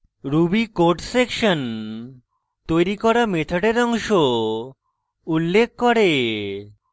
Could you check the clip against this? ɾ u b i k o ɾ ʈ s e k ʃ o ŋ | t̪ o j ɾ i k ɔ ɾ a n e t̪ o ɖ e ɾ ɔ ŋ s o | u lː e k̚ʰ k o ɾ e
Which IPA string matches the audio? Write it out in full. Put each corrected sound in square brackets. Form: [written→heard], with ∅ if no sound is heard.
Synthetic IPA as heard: ɾ u b i k o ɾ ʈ s e k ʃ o [ŋ→n] | t̪ o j ɾ i k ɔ ɾ a [n→m] e [t̪→t̪ʰ] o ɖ e ɾ ɔ ŋ [s→ʃ] o | u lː e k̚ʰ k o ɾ e